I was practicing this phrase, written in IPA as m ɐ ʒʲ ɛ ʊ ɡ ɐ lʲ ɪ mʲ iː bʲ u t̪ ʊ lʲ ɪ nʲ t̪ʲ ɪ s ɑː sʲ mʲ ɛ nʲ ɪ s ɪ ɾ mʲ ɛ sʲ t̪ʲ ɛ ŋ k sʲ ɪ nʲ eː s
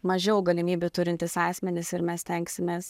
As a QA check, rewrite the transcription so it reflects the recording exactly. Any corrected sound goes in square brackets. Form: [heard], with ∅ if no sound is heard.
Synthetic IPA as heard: m ɐ ʒʲ ɛ ʊ ɡ ɐ lʲ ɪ mʲ iː bʲ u t̪ ʊ [ɾʲ] ɪ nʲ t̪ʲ ɪ s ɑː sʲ mʲ ɛ nʲ ɪ s ɪ ɾ mʲ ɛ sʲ t̪ʲ ɛ ŋ k sʲ ɪ [mʲ] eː s